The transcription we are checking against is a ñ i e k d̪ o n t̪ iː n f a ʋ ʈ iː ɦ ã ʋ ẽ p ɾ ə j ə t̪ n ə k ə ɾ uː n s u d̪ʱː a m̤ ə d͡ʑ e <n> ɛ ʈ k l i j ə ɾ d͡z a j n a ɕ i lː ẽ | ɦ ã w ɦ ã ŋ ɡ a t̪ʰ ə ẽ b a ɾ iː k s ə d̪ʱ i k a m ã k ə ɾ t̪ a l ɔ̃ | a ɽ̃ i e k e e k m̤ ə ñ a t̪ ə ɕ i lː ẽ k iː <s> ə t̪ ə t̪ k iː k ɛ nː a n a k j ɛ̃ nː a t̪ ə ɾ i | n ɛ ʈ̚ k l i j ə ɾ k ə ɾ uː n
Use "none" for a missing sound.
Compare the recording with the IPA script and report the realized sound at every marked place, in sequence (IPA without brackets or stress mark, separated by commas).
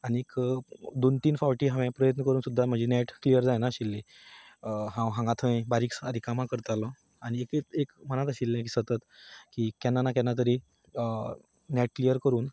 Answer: n, s